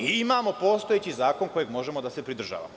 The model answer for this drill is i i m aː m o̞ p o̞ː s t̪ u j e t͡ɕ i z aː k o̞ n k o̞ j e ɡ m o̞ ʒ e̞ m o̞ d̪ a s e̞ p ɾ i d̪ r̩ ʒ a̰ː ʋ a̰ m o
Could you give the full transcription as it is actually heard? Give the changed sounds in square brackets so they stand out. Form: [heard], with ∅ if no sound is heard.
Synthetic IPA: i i m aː m o̞ p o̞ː s t̪ [o] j e t͡ɕ i z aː k o̞ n k o̞ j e ɡ m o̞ ʒ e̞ m o̞ d̪ a s e̞ p ɾ i d̪ r̩ ʒ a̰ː ʋ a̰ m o